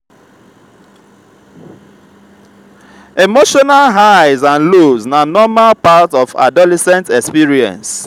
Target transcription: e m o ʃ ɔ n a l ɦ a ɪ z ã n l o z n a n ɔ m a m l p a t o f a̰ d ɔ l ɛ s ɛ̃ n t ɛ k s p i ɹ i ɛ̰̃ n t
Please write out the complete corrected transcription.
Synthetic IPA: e m o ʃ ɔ n a l ɦ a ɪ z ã n l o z n a n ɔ m a l p a t ɔ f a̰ d ɔ l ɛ s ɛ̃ n t ɛ k s p i ɹ i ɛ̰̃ n s